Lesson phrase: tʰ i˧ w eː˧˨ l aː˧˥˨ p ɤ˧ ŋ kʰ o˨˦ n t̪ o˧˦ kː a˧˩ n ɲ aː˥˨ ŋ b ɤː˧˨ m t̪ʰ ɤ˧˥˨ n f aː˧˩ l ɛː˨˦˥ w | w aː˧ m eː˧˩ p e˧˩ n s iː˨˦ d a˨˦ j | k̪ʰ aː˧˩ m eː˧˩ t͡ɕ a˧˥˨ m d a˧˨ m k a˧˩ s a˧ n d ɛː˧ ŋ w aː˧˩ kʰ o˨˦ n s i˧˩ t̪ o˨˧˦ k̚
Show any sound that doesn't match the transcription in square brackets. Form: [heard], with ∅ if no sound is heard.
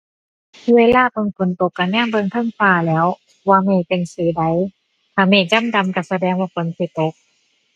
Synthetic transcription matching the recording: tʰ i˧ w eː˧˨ l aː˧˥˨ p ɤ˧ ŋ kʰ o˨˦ n t̪ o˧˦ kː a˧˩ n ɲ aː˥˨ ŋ b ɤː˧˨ [ŋ] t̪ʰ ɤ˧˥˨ [ŋ] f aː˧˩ l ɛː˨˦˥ w | w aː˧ m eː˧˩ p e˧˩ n s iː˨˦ d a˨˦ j | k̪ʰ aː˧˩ m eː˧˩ t͡ɕ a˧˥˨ m d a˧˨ m k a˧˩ s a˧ [∅] d ɛː˧ ŋ w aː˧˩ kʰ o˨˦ n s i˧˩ t̪ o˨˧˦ k̚

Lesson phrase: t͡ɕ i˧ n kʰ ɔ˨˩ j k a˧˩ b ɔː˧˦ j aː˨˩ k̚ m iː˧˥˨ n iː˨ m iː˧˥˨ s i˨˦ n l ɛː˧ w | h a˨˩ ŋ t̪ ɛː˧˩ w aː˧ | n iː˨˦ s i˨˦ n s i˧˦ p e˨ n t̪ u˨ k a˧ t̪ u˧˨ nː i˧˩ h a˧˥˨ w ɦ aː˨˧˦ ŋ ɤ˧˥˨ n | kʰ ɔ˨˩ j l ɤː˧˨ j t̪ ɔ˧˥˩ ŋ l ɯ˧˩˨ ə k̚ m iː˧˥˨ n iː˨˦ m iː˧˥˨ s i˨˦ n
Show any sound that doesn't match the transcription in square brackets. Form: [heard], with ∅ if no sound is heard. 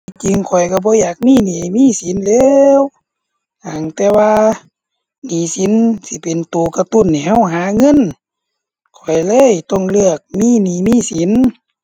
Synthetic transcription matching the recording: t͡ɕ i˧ [ŋ] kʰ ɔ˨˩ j k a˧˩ b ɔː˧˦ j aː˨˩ k̚ m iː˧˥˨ n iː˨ m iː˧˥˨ s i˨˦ n l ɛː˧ w | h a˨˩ ŋ t̪ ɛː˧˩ w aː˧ | n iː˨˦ s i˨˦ n s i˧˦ p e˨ n t̪ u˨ k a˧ t̪ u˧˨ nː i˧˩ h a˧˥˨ w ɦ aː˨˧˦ ŋ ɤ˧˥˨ n | kʰ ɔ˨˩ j l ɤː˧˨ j t̪ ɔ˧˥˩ ŋ l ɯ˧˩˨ ə k̚ m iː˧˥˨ n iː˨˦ m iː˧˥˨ s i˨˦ n

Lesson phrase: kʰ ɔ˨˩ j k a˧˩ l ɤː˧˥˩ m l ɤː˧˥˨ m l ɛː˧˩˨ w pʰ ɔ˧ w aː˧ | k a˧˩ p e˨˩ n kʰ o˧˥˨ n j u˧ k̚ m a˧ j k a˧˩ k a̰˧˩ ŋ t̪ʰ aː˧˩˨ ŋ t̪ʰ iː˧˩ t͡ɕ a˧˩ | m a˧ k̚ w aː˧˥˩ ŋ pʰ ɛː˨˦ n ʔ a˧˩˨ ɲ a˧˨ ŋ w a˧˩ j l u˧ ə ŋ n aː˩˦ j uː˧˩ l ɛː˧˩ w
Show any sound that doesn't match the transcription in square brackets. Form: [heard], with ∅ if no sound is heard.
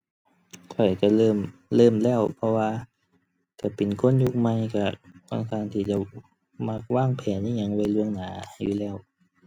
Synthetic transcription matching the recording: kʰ ɔ˨˩ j k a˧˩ l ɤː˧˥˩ m l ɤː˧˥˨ m l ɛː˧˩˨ w pʰ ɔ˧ w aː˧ | k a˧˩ p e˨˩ n kʰ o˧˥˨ n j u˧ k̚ m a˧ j k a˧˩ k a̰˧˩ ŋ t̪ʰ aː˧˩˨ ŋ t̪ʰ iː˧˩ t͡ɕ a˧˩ | m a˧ k̚ w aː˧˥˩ ŋ pʰ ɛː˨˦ n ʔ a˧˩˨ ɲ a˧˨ ŋ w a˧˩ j l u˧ ə ŋ n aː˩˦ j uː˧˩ l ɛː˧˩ w

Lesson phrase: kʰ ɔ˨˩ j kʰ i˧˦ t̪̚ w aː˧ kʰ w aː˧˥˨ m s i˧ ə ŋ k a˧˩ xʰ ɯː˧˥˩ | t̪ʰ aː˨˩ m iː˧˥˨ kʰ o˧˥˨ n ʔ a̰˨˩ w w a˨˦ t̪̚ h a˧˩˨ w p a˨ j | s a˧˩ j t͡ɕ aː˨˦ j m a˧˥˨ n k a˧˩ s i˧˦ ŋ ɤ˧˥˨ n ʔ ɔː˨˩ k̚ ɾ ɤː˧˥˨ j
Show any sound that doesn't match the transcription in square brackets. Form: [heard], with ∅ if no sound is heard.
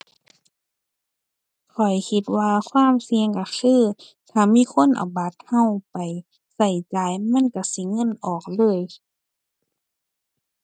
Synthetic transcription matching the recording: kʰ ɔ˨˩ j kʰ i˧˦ t̪̚ w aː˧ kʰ w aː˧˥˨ m s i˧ ə ŋ k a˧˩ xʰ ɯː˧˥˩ | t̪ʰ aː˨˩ m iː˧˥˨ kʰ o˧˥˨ n ʔ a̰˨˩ w [b] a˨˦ t̪̚ h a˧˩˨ w p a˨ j | s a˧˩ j t͡ɕ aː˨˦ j m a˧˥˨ n k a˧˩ s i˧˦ ŋ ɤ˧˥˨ n ʔ ɔː˨˩ k̚ [l] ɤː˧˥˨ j

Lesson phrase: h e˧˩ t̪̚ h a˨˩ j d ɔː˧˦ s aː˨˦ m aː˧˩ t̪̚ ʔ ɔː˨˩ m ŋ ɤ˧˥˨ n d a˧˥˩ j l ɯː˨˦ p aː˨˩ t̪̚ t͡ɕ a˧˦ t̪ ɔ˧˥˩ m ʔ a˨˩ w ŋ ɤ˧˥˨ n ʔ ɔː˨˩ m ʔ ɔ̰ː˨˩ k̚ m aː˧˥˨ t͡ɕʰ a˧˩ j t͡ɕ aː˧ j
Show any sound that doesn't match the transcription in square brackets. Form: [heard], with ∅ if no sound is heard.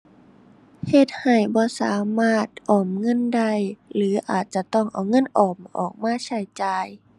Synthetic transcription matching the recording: h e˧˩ t̪̚ h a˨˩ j [b] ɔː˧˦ s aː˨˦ m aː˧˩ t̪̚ ʔ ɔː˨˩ m ŋ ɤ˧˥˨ n d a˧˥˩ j l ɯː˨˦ [ʔ] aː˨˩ t̪̚ t͡ɕ a˧˦ t̪ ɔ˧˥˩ [ŋ] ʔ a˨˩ w ŋ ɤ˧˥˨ n ʔ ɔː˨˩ m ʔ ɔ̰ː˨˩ k̚ m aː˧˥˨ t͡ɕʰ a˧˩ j t͡ɕ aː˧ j

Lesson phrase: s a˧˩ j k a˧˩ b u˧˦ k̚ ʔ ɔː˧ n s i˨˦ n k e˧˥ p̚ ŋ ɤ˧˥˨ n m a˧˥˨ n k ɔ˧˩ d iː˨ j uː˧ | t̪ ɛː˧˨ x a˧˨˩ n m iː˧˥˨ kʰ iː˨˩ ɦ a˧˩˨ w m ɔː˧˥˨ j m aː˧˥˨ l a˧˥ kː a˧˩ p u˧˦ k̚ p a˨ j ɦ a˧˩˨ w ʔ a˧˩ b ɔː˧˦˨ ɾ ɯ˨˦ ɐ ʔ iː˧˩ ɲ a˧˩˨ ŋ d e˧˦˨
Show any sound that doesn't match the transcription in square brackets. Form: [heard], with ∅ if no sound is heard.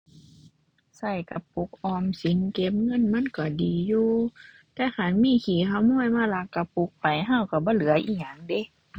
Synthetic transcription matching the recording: s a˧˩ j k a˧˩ [p] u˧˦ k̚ ʔ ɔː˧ [m] s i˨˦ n k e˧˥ p̚ ŋ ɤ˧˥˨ n m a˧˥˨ n k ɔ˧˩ d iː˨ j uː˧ | t̪ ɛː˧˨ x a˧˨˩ n m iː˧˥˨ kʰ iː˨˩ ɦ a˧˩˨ w m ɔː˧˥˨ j m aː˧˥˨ l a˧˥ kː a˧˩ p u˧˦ k̚ p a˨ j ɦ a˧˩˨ w [k] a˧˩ b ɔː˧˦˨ [l] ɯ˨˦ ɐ ʔ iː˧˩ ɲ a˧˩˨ ŋ d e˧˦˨

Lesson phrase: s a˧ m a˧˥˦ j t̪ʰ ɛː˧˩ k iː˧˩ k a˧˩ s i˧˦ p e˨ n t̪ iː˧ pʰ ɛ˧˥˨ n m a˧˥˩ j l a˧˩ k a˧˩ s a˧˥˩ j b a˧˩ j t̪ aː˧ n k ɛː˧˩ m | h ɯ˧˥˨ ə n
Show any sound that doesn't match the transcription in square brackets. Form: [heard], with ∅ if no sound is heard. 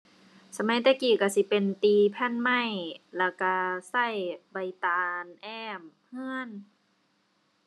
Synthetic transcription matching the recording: s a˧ m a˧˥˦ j [t̪] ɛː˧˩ k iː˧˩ k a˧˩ s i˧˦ p e˨ n t̪ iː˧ pʰ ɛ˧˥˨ n m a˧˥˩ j l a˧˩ k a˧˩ s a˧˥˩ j b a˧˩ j t̪ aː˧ n [ʔ] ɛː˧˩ m | h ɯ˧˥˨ ə n

